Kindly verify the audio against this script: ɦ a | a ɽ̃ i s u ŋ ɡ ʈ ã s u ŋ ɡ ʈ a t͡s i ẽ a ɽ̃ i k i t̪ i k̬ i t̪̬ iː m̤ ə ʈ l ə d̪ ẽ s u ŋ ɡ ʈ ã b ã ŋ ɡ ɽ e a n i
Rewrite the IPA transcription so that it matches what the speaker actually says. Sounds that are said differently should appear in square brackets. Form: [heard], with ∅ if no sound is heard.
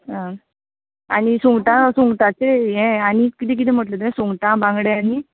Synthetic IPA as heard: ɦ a | a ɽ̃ i s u ŋ ɡ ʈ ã s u ŋ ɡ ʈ a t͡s [e] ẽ a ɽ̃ i k i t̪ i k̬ i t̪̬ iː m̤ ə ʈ l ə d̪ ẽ s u ŋ ɡ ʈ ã b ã ŋ ɡ ɽ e a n i